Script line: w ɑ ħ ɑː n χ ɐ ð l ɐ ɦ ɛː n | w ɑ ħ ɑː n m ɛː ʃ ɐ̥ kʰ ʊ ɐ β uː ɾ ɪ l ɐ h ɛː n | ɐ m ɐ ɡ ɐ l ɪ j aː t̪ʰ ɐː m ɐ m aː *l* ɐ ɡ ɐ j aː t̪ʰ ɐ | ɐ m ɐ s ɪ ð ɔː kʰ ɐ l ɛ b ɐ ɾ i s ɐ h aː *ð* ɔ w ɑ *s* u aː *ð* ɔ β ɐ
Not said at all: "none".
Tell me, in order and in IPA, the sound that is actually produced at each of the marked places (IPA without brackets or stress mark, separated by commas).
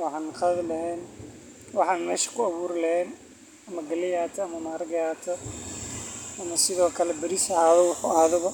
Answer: ɾ, ð, ħ, ð